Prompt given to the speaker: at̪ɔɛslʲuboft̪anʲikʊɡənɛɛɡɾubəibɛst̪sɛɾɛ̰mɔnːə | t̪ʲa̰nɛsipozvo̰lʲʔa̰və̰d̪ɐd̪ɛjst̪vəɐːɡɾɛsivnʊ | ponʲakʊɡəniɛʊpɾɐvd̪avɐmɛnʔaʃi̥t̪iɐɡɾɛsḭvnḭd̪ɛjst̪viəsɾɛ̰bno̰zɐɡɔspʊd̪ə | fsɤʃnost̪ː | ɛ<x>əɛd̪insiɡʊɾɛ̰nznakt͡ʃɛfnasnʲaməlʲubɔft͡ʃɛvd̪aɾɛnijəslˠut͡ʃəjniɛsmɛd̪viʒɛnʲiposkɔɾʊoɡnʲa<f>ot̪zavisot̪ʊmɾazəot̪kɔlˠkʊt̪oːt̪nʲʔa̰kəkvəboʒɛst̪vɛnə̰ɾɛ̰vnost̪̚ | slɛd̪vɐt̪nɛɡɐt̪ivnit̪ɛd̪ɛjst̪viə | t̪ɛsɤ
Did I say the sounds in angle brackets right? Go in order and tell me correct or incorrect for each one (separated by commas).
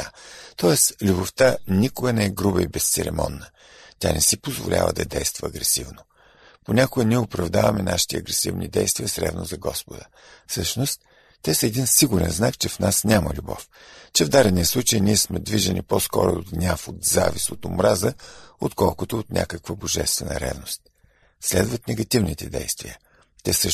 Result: incorrect, correct